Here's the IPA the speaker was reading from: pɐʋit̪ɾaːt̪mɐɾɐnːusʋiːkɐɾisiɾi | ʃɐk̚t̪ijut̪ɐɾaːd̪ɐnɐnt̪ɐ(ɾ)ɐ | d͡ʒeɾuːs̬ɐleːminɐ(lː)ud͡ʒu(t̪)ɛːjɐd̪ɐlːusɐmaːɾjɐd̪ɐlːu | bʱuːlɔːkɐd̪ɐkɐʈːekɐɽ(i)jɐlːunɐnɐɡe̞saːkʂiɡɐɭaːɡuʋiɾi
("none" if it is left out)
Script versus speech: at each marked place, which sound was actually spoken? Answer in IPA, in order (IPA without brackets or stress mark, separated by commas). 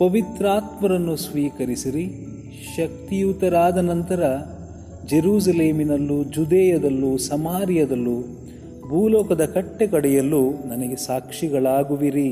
ɾ, lː, d̪, ɛ